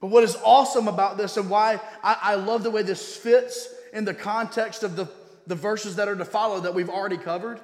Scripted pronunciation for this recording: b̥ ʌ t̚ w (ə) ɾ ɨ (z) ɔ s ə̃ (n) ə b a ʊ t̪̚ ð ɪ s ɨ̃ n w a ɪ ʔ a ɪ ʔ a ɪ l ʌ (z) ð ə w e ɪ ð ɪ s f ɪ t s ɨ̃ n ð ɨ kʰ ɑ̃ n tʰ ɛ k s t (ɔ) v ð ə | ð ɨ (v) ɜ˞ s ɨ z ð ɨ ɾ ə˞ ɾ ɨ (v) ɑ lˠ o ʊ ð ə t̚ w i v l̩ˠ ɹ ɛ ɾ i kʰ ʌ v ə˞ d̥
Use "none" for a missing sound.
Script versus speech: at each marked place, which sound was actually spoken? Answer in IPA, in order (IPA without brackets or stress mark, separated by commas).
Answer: ʌ, z, m, v, ʌ, v, f